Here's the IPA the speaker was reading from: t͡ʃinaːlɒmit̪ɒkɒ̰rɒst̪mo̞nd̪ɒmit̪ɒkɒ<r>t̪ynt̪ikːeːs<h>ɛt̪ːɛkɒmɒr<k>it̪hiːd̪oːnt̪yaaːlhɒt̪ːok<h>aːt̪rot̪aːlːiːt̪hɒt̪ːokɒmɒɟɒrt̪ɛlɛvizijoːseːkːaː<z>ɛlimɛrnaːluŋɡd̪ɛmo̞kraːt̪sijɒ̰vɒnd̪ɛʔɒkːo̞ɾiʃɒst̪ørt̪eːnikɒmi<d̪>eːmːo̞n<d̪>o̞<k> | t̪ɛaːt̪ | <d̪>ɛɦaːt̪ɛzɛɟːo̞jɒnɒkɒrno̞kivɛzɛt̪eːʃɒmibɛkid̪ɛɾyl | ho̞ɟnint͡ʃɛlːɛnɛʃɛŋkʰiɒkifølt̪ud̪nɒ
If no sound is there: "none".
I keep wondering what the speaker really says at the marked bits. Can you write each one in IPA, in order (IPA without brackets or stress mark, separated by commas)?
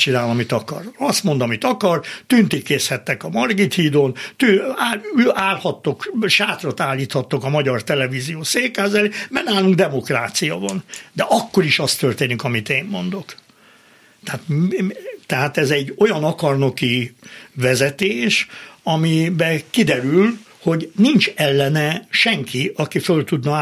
r, h, ɡ, ʃ, z, t̪, d̪, k, t̪